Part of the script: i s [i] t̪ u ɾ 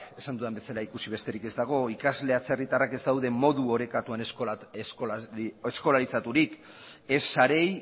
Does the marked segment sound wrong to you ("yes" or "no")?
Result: yes